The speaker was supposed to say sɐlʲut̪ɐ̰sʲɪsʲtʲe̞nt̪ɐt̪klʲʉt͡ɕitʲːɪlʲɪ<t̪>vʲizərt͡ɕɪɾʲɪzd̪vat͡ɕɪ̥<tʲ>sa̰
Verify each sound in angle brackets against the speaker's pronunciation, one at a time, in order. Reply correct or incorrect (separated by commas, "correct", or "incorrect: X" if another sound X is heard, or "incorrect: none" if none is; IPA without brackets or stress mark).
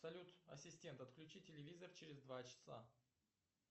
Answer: incorrect: none, incorrect: none